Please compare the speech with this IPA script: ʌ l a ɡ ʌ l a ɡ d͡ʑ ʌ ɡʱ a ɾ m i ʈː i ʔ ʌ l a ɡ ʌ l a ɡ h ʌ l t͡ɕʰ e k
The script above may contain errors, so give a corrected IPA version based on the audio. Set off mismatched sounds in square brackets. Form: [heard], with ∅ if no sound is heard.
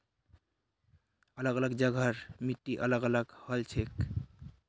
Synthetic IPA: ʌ l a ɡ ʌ l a ɡ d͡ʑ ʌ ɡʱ a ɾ m i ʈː i ʔ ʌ l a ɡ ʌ l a ɡ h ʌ l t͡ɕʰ e k